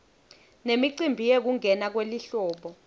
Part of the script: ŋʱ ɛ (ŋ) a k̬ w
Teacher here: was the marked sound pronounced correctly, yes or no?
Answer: no